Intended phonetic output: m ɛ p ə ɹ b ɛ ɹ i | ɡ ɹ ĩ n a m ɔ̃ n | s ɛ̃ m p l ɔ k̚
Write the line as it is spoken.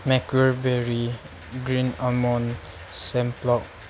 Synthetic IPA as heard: m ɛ k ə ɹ b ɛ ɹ i | ɡ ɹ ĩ n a m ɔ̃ n | s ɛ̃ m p l ɔ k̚

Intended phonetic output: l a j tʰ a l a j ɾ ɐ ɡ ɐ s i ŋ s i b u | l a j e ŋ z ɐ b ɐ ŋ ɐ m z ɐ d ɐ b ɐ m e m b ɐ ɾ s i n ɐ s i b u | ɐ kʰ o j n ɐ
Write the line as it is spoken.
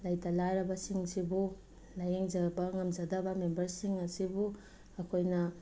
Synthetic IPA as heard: l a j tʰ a l a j ɾ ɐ b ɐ s i ŋ s i b u | l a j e ŋ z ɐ b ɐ ŋ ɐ m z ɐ d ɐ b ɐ m e m b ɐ ɾ s i ŋ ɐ s i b u | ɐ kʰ o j n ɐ

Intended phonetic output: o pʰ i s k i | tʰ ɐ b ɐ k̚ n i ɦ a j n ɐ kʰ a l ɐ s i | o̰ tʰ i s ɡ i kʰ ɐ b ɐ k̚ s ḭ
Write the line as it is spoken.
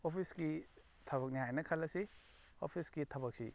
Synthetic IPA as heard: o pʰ i s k i | tʰ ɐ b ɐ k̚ n i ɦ a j n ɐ kʰ a l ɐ s i | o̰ pʰ i s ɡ i tʰ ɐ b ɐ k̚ s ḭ

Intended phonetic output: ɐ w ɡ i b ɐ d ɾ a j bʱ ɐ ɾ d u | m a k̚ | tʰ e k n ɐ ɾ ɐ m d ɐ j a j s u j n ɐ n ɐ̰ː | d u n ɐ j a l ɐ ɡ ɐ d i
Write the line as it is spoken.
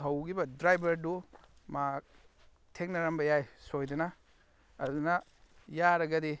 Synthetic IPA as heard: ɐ w ɡ i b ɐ d ɾ a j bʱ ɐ ɾ d u | m a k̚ | tʰ e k n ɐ ɾ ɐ m b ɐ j a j s o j d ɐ n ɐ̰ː | d u n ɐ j a ɾ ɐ ɡ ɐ d i

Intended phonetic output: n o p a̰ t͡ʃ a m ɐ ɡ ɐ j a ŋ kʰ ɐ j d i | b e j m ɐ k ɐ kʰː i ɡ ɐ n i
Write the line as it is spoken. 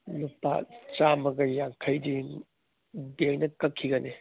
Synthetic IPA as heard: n u p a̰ t͡ʃ a m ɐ ɡ ɐ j a ŋ kʰ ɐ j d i | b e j n ɐ k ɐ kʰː i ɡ ɐ n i

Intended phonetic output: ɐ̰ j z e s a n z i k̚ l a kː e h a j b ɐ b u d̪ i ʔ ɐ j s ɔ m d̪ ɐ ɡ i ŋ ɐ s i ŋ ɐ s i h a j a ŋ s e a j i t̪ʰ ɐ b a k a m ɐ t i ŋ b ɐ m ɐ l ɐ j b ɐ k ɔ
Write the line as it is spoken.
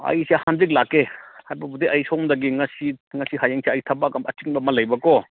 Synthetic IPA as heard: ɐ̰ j s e h a n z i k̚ l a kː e h a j b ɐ b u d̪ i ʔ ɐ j s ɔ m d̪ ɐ ɡ i ŋ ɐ s i ŋ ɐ s i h a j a ŋ s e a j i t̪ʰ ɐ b a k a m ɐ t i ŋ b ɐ m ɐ l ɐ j b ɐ k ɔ

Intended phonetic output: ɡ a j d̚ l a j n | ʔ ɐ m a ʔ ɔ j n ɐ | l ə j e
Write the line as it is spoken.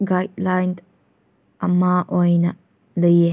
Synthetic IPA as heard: ɡ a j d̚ l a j n | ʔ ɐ m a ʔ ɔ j n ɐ | l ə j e

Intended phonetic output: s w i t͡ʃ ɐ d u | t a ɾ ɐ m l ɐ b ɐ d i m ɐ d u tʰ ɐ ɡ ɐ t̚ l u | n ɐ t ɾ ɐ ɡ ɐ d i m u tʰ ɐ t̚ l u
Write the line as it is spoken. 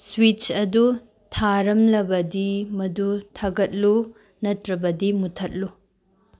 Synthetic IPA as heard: s w i t͡ʃ ɐ d u | tʰ a ɾ ɐ m l ɐ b ɐ d i m ɐ d u tʰ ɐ ɡ ɐ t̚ l u | n ɐ t ɾ ɐ b ɐ d i m u tʰ ɐ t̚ l u

